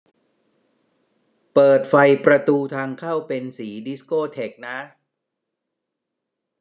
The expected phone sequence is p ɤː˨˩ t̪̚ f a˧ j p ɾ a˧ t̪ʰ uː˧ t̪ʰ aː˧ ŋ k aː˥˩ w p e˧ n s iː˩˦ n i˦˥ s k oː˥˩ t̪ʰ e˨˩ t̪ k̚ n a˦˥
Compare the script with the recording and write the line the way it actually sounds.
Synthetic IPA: p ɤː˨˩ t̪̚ f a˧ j p ɾ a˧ t̪ uː˧ t̪ʰ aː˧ ŋ kʰ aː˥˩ w p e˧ n s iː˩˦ d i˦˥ s k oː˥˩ t̪ʰ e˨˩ k̚ n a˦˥

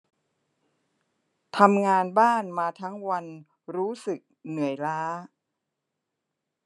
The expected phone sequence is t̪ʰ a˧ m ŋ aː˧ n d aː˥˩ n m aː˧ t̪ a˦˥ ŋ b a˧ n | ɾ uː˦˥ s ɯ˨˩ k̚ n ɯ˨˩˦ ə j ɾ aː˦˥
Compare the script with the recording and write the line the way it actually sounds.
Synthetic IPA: t̪ʰ a˧ m ŋ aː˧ n b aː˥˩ n m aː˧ t̪ʰ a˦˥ ŋ w a˧ n | ɾ uː˦˥ s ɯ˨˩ k̚ n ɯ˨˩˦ ə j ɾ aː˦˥

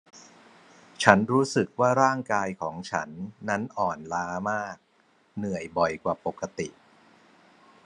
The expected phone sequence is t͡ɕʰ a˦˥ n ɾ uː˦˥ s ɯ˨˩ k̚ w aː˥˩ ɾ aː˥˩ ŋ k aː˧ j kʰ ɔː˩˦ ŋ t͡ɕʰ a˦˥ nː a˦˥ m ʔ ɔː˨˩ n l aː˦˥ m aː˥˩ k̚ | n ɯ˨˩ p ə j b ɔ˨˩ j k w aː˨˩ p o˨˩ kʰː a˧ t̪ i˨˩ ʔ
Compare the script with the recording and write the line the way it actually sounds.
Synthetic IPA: t͡ɕʰ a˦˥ n ɾ uː˦˥ s ɯ˨˩ k̚ w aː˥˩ ɾ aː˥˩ ŋ k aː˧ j kʰ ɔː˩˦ ŋ t͡ɕʰ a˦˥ nː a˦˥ n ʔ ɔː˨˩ n l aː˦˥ m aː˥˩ k̚ | n ɯ˨˩ ə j b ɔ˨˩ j k w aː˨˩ p o˨˩ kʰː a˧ t̪ i˨˩ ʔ

